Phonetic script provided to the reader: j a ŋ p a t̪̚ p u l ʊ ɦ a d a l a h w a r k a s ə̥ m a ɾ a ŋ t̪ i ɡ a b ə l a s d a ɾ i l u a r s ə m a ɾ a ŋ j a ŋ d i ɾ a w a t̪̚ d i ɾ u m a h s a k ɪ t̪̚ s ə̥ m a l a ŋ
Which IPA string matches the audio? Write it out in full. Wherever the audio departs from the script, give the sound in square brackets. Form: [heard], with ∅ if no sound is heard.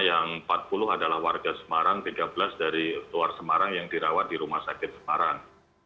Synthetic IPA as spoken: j a ŋ p a t̪̚ p u l ʊ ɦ a d a l a h w a r [ɡ] a s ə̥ m a ɾ a ŋ t̪ i ɡ a b ə l a s d a ɾ i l u a r s ə m a ɾ a ŋ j a ŋ d i ɾ a w a t̪̚ d i ɾ u m a h s a k ɪ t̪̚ s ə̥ m a [ɾ] a ŋ

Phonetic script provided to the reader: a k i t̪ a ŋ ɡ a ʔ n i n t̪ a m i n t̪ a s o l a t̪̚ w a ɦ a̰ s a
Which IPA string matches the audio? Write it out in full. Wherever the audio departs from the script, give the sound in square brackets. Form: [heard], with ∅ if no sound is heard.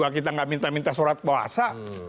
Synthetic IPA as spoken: a k i t̪ a ŋ ɡ a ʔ [m] i n t̪ a m i n t̪ a s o [ɾ] a t̪̚ [b] a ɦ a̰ s a

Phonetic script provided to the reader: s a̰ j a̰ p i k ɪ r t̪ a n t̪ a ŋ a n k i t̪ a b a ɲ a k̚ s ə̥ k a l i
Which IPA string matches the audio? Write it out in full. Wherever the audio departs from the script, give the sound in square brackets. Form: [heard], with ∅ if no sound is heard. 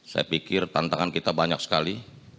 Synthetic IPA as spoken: s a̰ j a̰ p i k ɪ r t̪ a n t̪ a ŋ a n k i t̪ a b a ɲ a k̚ s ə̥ k a l i

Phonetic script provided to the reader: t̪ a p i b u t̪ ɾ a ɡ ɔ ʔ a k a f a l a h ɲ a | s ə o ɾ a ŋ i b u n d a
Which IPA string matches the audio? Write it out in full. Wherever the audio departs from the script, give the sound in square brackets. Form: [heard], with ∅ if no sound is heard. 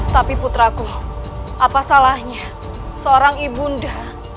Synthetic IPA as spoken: t̪ a p i [p] u t̪ ɾ a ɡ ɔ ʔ a [p] a [s] a l a h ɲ a | s ə o ɾ a ŋ i b u n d a

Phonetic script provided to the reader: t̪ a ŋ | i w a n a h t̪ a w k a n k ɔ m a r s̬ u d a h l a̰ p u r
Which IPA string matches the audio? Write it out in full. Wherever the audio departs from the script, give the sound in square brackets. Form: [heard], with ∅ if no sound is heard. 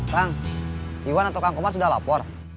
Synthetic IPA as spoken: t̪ a ŋ | i w a n a [∅] t̪ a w k a [ŋ] k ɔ m a r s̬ u d a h l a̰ p [ɔ] r

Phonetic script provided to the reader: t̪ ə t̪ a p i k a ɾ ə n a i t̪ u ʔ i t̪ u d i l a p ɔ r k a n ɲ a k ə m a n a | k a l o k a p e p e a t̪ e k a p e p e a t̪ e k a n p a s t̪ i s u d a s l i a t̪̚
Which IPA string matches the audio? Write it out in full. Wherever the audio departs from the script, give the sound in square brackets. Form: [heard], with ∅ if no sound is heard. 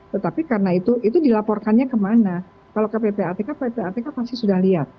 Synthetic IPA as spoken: t̪ ə t̪ a p i k a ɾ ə n a i t̪ u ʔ i t̪ u d i l a p ɔ r k a n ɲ a k ə m a n a | k a l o k a p e p e a t̪ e k a p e p e a t̪ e k a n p a s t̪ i s u d a [h] l i a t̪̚

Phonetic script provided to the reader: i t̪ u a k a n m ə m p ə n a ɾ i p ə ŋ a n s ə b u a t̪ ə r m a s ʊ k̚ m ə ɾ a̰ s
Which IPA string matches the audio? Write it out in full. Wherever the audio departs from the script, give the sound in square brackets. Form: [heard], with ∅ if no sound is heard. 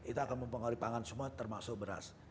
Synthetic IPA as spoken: i t̪ u a k a n m ə m p ə [ŋ] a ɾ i p [a] ŋ a n s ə [m] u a t̪ ə r m a s ʊ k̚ [b] ə ɾ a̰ s

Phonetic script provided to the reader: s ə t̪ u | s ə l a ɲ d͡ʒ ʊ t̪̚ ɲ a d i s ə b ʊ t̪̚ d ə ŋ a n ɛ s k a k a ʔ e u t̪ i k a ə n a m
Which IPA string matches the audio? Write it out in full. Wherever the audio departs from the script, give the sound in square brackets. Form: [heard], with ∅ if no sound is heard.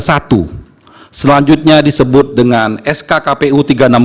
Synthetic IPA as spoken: s [a] t̪ u | s ə l a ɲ d͡ʒ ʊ t̪̚ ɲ a d i s ə b ʊ t̪̚ d ə ŋ a n ɛ s k a k a [p] e u t̪ i [ɡ] a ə n a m

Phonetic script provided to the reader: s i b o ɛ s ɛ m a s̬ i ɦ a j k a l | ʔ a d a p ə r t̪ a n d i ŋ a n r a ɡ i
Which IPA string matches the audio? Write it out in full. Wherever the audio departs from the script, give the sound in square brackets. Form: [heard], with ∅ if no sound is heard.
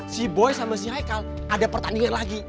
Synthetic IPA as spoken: s i b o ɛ s [a] m a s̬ i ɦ a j k a l | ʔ a d a p ə r t̪ a n d i ŋ a n [l] a ɡ i

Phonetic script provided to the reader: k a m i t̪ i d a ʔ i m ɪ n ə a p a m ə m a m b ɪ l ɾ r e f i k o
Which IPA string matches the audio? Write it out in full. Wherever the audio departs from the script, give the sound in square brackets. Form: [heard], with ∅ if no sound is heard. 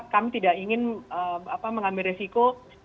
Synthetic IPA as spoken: k a m i t̪ i d a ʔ i [ŋ] ɪ n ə a p a m ə [ŋ] a m b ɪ l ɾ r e [s] i k o

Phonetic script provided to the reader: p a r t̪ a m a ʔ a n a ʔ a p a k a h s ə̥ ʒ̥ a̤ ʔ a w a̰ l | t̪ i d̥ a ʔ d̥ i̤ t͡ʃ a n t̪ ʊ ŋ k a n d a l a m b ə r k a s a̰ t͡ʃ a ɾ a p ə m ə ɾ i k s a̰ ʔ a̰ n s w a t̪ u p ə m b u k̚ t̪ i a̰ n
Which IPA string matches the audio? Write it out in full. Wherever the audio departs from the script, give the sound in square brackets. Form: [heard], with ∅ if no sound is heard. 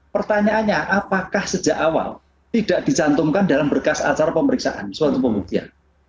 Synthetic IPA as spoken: p [ə] r t̪ a [ɲ] a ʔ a [ɲ] a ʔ a p a k a h s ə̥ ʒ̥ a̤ ʔ a w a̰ l | t̪ i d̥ a ʔ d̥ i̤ t͡ʃ a n t̪ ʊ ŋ k a n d a l a m b ə r k a s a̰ t͡ʃ a ɾ a p ə m ə ɾ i k s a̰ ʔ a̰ n s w a t̪ u p ə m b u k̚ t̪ i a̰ n

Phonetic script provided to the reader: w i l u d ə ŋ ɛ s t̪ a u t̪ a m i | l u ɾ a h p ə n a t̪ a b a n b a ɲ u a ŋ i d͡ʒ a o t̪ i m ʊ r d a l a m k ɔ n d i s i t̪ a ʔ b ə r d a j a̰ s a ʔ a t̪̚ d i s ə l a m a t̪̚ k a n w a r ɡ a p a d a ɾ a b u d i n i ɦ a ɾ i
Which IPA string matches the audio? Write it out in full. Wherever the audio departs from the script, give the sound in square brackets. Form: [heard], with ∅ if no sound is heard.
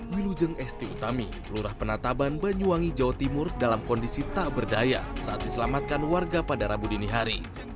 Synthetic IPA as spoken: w i l u [d͡ʒ] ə ŋ ɛ s t̪ [i] u t̪ a m i | l u ɾ a h p ə n a t̪ a b a n b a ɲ u a ŋ i d͡ʒ a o t̪ i m ʊ r d a l a m k ɔ n d i s i t̪ a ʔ b ə r d a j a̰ s a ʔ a t̪̚ d i s ə l a m a t̪̚ k a n w a r ɡ a p a d a ɾ a b u d i n i ɦ a ɾ i

